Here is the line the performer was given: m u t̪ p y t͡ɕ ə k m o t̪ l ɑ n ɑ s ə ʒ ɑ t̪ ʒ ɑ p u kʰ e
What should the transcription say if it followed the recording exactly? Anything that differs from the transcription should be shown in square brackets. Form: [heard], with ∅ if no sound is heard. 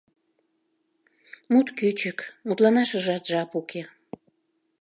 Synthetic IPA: m u t̪ [k] y t͡ɕ ə k m [u] t̪ l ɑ n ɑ [ʃ] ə ʒ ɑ t̪ ʒ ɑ p u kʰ e